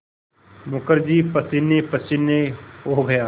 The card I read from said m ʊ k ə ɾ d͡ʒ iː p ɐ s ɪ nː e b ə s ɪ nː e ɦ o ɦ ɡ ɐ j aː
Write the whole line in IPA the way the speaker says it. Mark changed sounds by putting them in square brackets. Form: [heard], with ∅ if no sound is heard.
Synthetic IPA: m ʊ k ə ɾ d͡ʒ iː p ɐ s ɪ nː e [p] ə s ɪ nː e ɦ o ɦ ɡ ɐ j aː